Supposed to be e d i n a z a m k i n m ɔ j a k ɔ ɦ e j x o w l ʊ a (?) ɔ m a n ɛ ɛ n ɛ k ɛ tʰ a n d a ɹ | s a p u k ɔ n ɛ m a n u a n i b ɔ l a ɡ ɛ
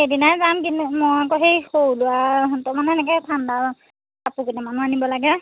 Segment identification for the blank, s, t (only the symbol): t